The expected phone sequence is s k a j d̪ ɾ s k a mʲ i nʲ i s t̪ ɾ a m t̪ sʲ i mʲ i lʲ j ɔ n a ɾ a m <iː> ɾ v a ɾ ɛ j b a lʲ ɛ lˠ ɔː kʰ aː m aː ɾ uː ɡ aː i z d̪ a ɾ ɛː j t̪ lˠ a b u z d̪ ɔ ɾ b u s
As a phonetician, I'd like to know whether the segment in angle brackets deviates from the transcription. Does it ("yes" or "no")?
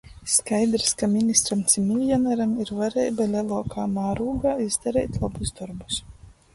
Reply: yes